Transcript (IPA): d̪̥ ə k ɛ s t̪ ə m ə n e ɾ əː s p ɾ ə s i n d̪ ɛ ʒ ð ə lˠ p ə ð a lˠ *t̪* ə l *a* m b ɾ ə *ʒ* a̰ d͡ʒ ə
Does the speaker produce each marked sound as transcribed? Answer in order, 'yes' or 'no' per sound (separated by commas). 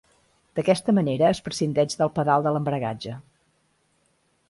no, no, no